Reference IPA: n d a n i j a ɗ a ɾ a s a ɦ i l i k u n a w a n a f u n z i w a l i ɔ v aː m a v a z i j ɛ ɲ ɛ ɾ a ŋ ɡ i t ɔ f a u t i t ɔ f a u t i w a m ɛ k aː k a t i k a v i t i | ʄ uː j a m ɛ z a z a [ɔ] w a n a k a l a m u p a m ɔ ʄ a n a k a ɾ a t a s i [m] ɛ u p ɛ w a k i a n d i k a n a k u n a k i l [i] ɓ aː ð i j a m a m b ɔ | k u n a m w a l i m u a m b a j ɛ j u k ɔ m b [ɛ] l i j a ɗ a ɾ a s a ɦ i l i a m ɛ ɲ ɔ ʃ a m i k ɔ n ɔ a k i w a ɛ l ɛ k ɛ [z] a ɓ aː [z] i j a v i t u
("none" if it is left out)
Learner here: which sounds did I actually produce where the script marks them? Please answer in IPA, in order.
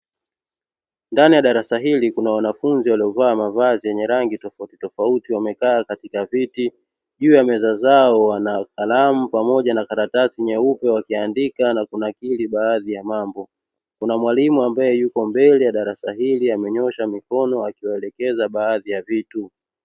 ɔ, ɲ, i, ɛ, z, ð

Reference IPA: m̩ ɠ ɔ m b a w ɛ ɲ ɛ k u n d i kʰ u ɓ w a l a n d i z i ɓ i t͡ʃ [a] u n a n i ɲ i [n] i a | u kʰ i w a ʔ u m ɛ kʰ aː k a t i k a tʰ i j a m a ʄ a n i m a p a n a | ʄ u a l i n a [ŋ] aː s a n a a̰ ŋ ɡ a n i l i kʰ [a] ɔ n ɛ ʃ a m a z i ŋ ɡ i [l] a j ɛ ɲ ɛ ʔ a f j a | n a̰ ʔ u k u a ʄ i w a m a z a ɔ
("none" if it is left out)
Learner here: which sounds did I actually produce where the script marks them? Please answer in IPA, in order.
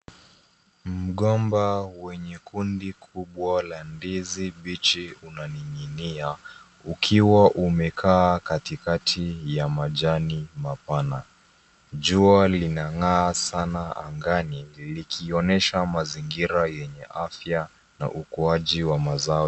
i, n, ŋ, i, ɾ

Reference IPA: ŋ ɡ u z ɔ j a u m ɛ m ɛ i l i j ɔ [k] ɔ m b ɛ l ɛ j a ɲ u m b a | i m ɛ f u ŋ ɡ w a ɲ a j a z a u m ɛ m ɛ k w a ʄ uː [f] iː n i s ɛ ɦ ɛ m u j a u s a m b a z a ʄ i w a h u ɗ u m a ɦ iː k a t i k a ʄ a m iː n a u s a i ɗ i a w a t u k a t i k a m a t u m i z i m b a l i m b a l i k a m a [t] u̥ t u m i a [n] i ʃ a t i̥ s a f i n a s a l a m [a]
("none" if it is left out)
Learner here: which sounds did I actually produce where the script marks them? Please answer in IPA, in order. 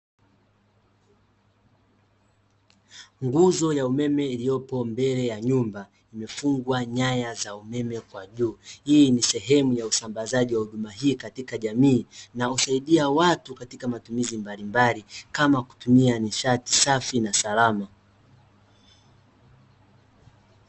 p, h, k, n, a

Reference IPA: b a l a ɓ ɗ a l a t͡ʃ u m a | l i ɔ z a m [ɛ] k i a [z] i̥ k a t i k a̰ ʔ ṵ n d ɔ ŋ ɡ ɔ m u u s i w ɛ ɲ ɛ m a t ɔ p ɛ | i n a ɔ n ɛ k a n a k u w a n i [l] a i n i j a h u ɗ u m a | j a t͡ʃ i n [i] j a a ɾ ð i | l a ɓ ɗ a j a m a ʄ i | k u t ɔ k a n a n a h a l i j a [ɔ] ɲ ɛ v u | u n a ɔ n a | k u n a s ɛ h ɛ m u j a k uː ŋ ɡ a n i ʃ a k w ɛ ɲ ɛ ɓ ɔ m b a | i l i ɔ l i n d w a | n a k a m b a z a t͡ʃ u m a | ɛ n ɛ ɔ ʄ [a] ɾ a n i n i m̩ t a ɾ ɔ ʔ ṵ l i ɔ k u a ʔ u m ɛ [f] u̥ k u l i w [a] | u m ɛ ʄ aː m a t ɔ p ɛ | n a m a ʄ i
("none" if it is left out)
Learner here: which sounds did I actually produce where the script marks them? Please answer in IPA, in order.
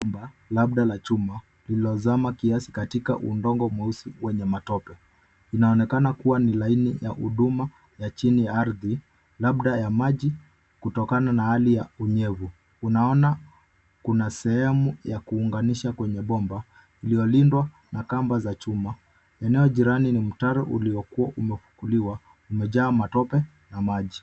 a, s, l, i, u, i, f, a

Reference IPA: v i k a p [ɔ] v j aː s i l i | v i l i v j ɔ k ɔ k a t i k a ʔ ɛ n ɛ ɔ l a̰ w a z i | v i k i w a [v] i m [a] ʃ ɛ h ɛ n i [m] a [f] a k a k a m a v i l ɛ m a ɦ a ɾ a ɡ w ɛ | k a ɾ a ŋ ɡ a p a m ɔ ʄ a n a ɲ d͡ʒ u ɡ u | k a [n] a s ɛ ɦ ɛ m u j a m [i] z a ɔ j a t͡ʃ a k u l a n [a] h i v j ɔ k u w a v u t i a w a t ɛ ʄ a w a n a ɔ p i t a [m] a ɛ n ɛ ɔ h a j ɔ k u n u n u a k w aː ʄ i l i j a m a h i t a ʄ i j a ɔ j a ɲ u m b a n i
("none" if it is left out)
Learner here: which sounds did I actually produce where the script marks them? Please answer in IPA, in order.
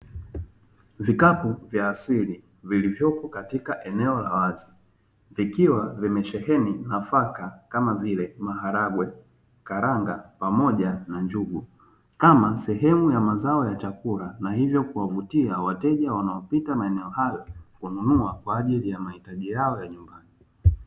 u, v, ɛ, n, f, m, a, a, m

